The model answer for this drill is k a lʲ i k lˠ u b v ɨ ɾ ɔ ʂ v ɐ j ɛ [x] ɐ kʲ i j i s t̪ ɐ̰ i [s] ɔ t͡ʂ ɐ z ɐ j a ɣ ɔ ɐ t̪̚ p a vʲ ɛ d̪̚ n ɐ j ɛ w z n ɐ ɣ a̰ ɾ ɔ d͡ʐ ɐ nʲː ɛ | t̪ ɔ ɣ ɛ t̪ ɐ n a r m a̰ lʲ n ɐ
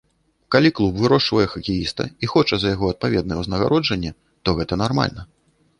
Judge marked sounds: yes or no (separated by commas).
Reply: yes, no